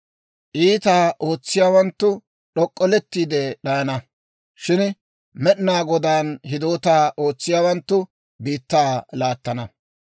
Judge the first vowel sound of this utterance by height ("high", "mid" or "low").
high